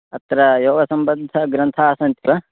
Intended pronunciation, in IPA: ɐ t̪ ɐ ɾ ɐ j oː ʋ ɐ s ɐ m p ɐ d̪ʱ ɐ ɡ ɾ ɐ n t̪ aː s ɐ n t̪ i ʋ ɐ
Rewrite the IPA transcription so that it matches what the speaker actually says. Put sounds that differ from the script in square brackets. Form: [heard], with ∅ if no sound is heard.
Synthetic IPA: ɐ t̪ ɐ ɾ ɐ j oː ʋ ɐ s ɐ m [b] ɐ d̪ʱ ɐ ɡ ɾ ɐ n [t̪ʰ] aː s ɐ n t̪ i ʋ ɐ